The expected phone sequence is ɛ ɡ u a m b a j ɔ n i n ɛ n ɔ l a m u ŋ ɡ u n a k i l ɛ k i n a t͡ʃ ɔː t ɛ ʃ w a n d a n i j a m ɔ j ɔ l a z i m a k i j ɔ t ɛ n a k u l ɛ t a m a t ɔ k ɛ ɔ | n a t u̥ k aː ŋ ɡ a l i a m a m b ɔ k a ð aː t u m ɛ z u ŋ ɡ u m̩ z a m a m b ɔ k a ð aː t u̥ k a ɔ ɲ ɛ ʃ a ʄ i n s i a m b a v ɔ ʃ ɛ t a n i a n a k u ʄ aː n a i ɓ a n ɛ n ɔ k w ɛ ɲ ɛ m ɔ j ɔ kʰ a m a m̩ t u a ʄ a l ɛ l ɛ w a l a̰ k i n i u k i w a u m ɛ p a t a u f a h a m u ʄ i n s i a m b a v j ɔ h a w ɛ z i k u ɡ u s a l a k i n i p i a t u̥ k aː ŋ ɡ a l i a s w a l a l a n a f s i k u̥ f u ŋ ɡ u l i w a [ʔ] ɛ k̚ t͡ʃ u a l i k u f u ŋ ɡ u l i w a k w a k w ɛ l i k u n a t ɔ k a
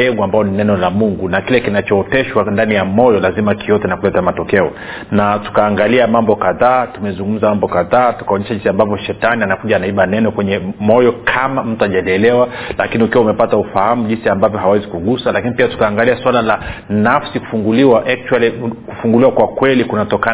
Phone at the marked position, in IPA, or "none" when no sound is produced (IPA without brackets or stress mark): ʔ